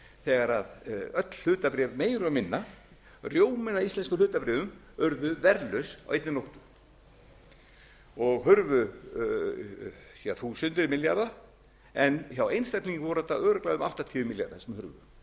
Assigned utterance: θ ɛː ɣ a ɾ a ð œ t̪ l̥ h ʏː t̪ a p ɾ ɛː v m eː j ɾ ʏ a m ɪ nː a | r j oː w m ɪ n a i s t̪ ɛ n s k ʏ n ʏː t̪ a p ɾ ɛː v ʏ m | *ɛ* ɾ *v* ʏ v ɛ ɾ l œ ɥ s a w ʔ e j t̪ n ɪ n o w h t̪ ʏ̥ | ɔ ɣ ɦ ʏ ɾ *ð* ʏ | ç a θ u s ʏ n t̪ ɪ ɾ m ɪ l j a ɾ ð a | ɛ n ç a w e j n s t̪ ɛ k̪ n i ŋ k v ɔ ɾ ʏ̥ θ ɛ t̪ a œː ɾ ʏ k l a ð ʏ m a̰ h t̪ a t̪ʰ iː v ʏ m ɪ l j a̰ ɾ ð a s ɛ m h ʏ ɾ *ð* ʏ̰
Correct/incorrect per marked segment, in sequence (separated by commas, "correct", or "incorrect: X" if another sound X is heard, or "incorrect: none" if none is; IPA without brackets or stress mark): incorrect: œ, incorrect: ð, incorrect: v, incorrect: v